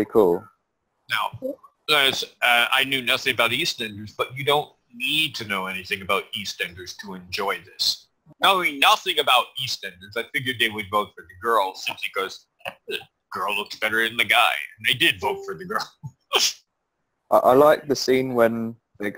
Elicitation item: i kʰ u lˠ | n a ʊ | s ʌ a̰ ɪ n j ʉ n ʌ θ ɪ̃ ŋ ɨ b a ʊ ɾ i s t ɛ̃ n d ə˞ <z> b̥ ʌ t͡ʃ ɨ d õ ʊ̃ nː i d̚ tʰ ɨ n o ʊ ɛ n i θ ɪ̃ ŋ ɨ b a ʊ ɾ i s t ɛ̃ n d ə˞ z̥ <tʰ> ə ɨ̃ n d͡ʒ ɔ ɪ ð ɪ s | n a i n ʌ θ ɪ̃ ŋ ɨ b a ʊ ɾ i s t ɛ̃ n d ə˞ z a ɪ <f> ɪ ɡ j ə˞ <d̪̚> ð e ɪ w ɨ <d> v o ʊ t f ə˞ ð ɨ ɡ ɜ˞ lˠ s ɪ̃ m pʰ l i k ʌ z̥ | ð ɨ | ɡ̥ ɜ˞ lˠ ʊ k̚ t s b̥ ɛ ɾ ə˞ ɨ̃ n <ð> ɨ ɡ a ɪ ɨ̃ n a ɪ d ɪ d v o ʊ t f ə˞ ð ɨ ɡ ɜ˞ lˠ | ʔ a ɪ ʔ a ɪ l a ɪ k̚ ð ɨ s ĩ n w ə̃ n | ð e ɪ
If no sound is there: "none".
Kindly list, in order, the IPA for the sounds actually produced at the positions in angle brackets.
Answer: z, tʰ, f, d̪̚, d, ð

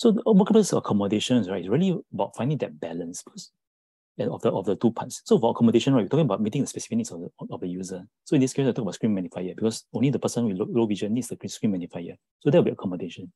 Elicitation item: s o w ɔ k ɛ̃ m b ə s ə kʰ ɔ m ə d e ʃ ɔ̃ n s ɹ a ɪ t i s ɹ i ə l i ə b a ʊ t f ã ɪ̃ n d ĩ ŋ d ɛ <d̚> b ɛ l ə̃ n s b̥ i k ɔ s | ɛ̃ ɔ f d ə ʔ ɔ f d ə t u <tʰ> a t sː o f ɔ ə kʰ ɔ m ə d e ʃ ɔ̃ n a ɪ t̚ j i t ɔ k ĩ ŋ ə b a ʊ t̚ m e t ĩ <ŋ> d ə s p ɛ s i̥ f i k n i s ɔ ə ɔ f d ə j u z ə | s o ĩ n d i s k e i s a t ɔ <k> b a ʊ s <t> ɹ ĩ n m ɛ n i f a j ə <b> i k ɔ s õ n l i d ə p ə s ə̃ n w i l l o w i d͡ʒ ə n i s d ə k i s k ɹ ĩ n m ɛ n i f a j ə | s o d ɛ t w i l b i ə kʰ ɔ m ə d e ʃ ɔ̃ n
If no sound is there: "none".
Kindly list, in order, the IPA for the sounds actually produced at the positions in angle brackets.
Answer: t̚, pʰ, ŋ, k, k, b

